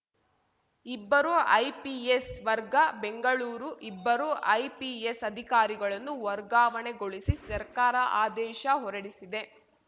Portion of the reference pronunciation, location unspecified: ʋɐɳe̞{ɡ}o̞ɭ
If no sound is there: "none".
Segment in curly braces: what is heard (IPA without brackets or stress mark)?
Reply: ɡ